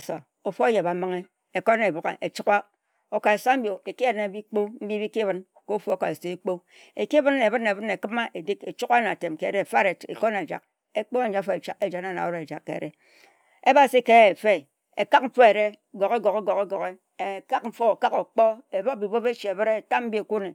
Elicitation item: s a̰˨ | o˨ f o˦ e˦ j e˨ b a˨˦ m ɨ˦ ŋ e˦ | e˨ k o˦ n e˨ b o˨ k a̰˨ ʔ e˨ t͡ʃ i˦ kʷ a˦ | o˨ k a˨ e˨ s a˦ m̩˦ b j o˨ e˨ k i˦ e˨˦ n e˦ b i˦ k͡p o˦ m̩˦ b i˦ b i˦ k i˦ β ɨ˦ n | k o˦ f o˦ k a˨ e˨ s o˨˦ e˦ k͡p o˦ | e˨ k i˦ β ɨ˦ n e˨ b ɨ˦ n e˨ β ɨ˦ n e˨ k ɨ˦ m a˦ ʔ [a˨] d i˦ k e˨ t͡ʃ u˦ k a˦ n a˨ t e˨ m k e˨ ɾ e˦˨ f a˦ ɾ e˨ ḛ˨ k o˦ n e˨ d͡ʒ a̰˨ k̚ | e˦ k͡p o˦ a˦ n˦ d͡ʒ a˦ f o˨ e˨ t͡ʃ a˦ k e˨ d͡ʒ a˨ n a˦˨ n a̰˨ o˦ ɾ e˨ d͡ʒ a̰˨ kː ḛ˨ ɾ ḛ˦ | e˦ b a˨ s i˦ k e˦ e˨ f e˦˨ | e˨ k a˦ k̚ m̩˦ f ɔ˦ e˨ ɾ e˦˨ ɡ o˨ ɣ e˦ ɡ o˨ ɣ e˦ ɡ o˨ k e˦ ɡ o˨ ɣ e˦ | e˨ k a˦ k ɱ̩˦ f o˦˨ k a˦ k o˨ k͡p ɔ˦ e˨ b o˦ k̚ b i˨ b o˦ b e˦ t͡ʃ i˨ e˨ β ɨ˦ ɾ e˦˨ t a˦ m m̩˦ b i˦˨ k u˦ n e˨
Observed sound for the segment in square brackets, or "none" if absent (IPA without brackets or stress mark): e˨